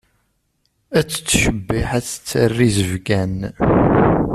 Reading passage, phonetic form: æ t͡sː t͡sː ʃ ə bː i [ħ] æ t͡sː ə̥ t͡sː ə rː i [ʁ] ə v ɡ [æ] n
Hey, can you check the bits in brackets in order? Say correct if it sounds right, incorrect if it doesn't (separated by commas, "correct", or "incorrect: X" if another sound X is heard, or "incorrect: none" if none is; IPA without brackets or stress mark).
correct, incorrect: z, correct